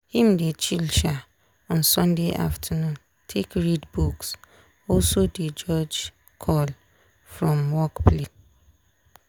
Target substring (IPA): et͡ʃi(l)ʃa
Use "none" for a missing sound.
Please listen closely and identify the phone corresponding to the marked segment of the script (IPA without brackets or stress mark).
l